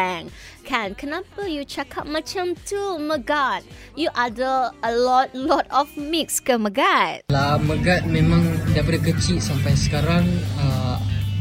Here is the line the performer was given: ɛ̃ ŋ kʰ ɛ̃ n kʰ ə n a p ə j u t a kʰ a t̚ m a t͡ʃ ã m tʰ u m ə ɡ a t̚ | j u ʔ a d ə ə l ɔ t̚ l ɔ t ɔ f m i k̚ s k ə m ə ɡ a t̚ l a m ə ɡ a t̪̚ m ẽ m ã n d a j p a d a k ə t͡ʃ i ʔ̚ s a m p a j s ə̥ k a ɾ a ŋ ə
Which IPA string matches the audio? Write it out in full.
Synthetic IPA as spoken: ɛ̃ ŋ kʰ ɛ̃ n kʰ ə n a p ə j u t͡ʃ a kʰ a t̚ m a t͡ʃ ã m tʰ u m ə ɡ a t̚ | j u ʔ a d ə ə l ɔ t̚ l ɔ t ɔ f m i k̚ s k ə m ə ɡ a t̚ l a m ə ɡ a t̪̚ m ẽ m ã ŋ d a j p a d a k ə t͡ʃ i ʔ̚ s a m p a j s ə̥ k a ɾ a ŋ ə